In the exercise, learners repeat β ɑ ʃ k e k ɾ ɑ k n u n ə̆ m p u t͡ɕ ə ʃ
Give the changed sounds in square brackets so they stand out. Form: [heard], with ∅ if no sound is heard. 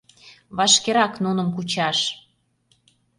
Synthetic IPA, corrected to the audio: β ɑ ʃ k e [∅] ɾ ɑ k n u n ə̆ m [k] u t͡ɕ [ɑ] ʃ

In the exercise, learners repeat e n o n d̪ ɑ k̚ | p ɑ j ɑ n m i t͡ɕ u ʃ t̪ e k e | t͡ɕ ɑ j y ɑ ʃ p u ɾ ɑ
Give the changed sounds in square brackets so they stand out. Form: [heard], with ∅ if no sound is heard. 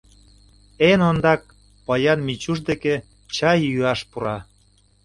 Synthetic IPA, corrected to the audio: e n o n d̪ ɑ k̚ | p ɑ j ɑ n m i t͡ɕ u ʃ [d̪] e k e | t͡ɕ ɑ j y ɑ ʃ p u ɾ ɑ

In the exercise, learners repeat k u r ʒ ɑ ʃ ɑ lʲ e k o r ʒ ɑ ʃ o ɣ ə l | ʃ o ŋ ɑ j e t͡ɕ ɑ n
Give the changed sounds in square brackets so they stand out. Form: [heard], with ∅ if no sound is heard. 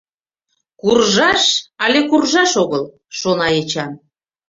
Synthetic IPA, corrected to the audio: k u r ʒ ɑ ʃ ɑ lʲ e k [u] r ʒ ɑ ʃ o ɣ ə l | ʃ o [n] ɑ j e t͡ɕ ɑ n

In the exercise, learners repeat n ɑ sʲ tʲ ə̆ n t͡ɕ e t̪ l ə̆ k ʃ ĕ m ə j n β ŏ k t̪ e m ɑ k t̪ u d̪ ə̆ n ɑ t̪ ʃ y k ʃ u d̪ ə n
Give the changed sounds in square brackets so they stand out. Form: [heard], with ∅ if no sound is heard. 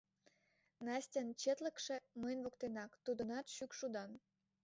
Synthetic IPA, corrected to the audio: n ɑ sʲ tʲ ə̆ n t͡ɕ e t̪ l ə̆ k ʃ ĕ m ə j n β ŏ k t̪ e [n] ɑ k t̪ u d̪ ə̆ n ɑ t̪ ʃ y k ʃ u d̪ [ɑ] n

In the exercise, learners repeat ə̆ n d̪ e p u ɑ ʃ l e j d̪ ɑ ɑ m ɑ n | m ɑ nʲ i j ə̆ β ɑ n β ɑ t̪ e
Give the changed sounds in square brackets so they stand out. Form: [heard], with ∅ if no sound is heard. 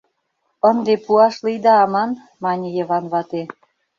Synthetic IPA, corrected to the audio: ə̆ n d̪ e p u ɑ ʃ l [i] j d̪ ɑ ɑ m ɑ n | m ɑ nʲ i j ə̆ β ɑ n β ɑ t̪ e

